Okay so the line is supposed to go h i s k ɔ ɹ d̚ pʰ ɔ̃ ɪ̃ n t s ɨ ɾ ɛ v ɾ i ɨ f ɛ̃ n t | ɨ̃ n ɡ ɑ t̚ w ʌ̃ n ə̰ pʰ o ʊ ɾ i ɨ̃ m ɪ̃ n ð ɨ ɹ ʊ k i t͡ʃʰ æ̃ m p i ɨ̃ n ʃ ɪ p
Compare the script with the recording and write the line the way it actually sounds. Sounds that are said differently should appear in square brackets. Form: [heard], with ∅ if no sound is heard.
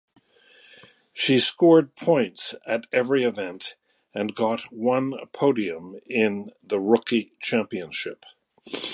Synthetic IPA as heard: [ʃ] i s k ɔ ɹ d̚ pʰ ɔ̃ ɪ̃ n t s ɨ ɾ ɛ v [ɹ] i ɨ [v] ɛ̃ n t | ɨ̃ n ɡ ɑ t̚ w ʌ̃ n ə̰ pʰ o ʊ ɾ i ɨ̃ m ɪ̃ n ð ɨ ɹ ʊ k i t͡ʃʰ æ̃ m p i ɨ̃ n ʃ ɪ p